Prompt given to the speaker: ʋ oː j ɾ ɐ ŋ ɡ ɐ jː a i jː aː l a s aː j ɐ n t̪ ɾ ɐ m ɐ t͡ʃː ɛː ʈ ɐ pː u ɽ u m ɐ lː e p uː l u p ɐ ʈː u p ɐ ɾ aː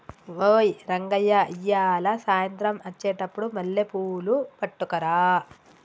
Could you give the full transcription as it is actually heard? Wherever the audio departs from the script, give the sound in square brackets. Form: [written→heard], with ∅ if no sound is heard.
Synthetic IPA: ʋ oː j ɾ ɐ ŋ ɡ ɐ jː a i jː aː l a s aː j ɐ n t̪ ɾ ɐ m ɐ t͡ʃː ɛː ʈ ɐ pː u ɽ u m ɐ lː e p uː l u p ɐ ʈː u [p→k] ɐ ɾ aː